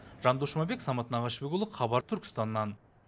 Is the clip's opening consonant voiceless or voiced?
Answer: voiced